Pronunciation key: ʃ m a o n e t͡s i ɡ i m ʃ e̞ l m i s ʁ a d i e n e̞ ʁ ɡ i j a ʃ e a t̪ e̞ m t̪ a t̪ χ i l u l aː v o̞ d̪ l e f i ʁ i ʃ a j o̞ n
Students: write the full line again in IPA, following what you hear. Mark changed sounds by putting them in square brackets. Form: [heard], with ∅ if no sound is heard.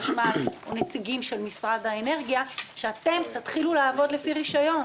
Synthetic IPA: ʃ m a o n e t͡s i ɡ i m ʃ e̞ l m i s ʁ a d [a] e n e̞ ʁ ɡ i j a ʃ e a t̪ e̞ m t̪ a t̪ χ i l u l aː v o̞ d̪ l e f i ʁ i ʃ a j o̞ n